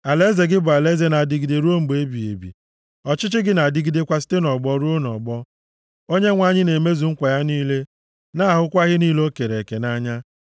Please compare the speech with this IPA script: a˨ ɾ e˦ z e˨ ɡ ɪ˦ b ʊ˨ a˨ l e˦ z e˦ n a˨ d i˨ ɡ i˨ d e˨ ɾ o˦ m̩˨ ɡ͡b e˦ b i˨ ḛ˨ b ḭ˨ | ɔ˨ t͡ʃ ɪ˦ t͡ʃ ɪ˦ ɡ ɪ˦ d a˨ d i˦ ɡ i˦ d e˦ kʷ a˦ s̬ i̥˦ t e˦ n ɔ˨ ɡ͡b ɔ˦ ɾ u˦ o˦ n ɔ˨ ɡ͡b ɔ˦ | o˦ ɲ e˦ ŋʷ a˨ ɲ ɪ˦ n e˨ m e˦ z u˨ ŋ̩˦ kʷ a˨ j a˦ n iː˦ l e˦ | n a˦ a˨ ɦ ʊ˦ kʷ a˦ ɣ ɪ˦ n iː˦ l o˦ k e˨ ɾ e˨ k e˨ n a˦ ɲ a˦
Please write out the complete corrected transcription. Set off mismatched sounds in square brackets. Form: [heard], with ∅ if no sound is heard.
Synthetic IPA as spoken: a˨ [l] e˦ z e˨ ɡ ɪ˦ b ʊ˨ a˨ l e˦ z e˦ n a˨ d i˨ ɡ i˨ d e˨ ɾ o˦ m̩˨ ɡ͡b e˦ b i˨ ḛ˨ b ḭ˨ | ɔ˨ t͡ʃ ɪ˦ t͡ʃ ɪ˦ ɡ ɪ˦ [n] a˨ d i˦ ɡ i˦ d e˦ kʷ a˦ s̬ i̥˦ t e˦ n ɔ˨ ɡ͡b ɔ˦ ɾ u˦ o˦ n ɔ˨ ɡ͡b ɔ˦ | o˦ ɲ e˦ ŋʷ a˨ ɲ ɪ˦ n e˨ m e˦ z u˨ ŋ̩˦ kʷ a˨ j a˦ n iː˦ l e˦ | n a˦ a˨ ɦ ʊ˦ kʷ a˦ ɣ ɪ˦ n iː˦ l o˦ k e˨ ɾ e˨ k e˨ n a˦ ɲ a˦